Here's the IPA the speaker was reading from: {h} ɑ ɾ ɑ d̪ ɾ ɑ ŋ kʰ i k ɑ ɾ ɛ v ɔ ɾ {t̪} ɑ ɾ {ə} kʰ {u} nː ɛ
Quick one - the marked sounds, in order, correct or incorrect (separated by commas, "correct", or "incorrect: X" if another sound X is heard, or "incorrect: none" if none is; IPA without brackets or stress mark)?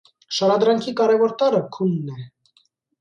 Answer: incorrect: ʃ, correct, correct, correct